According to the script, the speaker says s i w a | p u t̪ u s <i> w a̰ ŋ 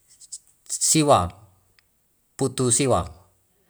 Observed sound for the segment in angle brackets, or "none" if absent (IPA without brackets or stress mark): i